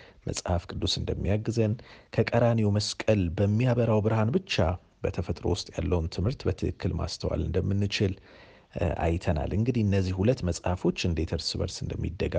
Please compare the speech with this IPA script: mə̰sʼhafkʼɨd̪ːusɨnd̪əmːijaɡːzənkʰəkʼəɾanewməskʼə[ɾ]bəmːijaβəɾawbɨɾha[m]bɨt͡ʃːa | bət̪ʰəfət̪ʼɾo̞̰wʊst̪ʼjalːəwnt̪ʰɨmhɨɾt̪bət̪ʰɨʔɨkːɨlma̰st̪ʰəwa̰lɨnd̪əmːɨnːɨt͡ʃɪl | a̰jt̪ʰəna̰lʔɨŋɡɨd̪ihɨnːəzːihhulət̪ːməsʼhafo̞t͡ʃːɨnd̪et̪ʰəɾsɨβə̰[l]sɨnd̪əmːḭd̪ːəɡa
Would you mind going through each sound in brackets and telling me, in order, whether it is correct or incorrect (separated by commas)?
incorrect, incorrect, incorrect